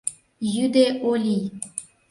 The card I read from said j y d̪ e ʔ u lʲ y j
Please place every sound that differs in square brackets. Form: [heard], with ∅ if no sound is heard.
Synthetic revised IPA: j y d̪ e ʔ [o] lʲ [i] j